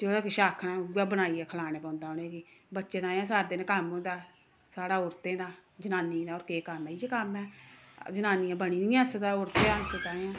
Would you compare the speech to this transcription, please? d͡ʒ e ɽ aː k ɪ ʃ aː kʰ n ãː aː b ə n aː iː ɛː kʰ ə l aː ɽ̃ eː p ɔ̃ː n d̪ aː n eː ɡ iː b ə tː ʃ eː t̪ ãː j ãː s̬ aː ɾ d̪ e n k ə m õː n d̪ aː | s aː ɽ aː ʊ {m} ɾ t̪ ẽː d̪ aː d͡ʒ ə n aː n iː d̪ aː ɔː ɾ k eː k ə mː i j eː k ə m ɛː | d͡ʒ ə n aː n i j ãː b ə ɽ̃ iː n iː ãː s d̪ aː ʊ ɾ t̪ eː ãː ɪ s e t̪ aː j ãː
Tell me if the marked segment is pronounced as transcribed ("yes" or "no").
no